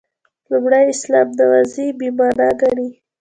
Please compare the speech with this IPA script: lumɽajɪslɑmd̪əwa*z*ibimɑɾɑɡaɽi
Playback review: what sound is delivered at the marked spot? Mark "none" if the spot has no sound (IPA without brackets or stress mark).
z